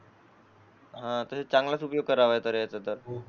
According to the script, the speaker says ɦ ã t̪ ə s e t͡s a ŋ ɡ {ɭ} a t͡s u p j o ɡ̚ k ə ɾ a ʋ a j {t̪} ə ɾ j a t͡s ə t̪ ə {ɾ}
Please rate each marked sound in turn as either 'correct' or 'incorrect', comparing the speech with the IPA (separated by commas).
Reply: incorrect, correct, correct